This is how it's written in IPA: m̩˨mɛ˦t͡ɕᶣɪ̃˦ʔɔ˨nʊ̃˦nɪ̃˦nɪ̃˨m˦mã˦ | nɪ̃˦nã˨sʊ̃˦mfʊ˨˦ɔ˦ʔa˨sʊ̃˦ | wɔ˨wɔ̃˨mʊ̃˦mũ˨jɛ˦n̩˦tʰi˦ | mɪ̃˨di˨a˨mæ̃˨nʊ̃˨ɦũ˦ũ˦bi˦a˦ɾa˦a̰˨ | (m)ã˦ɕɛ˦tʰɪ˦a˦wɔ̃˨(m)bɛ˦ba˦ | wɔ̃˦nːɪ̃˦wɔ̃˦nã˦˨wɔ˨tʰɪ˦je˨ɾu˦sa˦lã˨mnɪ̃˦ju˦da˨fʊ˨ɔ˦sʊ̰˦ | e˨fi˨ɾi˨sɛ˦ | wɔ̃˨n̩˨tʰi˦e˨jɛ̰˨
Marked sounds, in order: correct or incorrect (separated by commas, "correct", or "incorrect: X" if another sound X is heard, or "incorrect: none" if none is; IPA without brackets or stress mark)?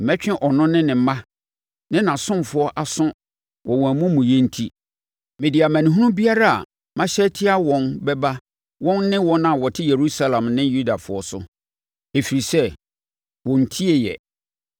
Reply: correct, incorrect: n